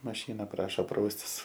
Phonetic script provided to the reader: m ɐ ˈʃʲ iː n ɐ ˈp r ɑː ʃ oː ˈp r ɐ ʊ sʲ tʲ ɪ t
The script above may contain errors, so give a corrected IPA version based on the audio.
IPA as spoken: m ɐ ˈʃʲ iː n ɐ ˈp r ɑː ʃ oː ˈp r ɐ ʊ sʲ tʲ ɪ s